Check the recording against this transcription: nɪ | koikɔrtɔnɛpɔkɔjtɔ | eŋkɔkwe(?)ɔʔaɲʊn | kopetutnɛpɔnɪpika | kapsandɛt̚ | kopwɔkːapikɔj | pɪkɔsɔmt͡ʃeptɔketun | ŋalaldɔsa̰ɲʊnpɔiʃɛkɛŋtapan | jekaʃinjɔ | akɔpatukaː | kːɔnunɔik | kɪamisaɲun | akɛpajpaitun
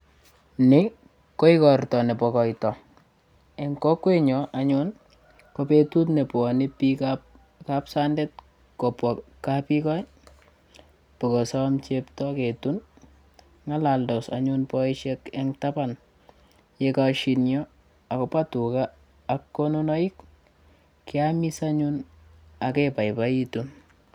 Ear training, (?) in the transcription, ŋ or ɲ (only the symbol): ɲ